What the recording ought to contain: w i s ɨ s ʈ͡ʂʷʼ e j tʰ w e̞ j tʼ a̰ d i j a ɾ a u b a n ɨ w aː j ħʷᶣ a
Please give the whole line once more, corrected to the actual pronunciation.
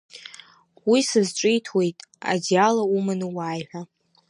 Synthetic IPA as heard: w i s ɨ z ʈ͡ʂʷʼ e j tʰ w e̞ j tʼ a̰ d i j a l a u m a n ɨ w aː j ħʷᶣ a